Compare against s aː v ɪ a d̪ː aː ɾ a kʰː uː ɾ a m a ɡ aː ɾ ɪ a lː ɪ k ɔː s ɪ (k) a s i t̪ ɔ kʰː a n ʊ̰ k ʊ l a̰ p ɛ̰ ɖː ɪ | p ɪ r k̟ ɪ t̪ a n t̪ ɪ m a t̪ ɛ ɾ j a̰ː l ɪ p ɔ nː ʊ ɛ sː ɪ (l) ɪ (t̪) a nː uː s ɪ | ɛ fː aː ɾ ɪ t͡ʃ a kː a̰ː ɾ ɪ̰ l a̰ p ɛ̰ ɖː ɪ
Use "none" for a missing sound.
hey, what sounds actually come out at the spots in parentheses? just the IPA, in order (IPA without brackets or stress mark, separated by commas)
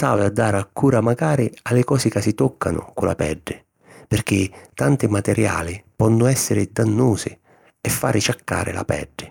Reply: k, ɾ, d̪